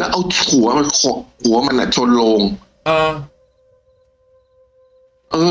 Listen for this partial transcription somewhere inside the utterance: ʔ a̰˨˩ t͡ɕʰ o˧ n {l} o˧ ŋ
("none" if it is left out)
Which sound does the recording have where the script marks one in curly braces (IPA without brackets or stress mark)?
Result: l